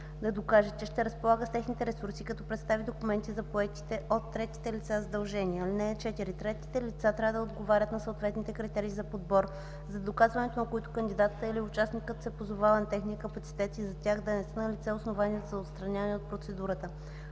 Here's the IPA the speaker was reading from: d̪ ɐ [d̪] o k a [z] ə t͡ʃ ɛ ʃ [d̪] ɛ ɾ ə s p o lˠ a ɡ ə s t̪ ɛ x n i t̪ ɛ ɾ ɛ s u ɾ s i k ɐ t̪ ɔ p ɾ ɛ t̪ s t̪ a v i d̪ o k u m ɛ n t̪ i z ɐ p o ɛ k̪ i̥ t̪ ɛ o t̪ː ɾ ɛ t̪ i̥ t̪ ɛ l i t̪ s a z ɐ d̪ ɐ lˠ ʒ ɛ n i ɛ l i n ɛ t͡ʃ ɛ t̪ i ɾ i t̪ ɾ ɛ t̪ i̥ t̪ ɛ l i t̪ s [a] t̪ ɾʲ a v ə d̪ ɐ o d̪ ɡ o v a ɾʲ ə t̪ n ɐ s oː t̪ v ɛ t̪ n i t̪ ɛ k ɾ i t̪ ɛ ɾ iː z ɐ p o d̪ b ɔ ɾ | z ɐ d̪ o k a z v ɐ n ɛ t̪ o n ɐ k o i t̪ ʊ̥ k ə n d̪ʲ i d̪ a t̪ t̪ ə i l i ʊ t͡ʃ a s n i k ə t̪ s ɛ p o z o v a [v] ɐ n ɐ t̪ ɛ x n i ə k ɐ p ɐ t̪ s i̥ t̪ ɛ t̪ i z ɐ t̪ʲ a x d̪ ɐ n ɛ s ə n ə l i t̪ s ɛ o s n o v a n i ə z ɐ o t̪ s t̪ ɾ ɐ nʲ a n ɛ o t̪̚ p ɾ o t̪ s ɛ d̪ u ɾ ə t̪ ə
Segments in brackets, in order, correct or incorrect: correct, incorrect: ʒ, incorrect: t̪, correct, correct

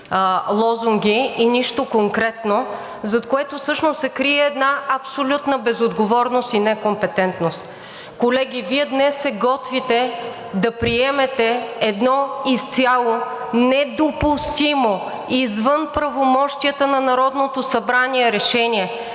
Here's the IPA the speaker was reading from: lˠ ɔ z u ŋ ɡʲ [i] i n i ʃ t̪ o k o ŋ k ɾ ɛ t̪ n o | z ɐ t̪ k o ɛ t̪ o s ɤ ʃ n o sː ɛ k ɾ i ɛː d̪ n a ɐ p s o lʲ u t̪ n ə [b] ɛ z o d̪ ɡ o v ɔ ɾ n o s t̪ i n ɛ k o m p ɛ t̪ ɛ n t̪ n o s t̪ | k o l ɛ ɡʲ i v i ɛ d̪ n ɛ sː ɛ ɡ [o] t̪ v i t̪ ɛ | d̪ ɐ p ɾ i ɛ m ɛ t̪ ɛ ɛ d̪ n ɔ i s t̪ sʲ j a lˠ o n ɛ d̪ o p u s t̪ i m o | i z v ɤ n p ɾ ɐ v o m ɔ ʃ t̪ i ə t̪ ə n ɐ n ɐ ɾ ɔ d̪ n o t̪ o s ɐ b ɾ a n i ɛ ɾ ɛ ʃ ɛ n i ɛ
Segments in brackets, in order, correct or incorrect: correct, correct, incorrect: ɔ

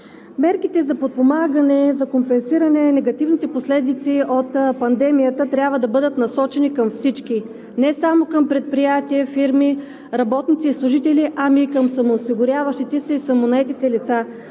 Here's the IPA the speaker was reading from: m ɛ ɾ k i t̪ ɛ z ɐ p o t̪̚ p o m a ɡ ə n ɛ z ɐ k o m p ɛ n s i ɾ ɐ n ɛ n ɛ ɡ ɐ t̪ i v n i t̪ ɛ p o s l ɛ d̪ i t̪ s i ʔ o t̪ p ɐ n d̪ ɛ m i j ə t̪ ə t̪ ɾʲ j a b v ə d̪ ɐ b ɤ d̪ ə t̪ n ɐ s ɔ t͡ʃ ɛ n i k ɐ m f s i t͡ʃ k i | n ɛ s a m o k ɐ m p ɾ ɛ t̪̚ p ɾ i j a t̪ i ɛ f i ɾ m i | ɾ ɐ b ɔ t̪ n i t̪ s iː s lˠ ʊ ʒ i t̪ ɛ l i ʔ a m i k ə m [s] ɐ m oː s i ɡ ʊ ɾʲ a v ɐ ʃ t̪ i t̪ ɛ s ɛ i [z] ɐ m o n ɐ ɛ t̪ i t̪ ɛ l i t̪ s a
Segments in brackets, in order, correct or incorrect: correct, incorrect: s

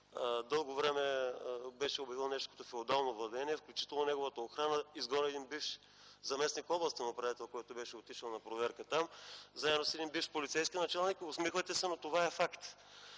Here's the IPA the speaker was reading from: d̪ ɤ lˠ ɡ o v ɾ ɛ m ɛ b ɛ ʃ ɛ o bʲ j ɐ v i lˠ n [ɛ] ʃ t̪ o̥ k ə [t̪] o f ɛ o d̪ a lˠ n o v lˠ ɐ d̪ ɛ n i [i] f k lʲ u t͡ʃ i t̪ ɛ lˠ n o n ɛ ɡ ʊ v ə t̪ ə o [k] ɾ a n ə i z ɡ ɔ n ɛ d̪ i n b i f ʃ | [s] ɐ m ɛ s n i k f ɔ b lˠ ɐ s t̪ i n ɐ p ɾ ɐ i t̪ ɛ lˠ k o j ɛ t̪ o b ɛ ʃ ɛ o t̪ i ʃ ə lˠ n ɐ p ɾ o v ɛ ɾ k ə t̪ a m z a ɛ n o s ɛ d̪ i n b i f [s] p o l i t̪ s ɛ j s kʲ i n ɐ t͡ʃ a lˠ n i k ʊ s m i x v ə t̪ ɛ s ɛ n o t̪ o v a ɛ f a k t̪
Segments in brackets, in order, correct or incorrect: correct, correct, incorrect: ɛ, incorrect: x, incorrect: z, incorrect: ʃ

